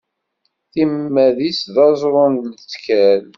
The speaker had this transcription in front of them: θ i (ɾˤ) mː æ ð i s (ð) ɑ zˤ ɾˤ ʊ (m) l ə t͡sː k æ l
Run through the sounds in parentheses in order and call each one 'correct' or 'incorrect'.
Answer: incorrect, correct, incorrect

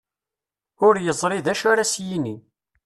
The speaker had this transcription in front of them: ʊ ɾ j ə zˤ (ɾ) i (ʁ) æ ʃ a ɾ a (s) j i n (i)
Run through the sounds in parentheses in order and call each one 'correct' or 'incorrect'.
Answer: correct, incorrect, correct, correct

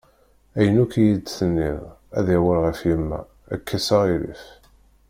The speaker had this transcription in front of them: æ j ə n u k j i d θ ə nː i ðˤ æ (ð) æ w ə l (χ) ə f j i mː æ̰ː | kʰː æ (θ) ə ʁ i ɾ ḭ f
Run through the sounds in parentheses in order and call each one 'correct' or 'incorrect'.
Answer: correct, incorrect, incorrect

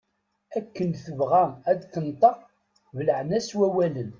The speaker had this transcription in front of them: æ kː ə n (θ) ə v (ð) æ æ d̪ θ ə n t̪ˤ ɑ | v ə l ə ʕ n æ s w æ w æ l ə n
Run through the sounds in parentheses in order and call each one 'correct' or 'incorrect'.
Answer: correct, incorrect

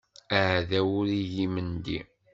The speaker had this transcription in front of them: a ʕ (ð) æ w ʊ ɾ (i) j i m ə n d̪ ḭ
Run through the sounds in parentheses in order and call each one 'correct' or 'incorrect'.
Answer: correct, correct

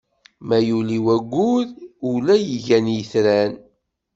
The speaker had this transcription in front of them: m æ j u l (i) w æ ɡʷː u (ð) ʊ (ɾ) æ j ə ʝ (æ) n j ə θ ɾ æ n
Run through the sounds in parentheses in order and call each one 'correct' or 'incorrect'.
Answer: correct, correct, incorrect, correct

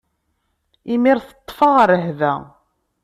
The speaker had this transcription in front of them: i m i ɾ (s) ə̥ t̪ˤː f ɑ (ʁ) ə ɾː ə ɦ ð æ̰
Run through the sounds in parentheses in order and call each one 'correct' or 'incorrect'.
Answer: incorrect, correct

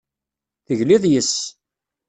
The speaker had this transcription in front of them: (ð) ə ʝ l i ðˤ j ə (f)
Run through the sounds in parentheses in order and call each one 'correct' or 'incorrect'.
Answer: incorrect, incorrect

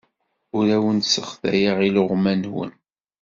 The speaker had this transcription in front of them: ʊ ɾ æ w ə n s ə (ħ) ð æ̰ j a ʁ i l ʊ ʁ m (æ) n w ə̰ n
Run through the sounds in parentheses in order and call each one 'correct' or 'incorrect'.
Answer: incorrect, correct

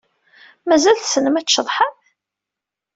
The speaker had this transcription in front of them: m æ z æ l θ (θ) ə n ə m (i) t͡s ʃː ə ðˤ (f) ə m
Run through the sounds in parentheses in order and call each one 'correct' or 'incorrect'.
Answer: incorrect, incorrect, incorrect

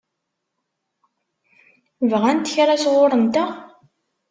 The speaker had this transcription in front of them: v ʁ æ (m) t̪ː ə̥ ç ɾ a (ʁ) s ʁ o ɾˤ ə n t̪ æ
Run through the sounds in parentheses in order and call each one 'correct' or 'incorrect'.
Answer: incorrect, incorrect

